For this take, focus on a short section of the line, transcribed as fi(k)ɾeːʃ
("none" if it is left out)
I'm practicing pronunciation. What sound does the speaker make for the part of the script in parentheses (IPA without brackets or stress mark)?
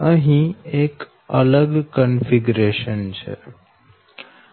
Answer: ɡ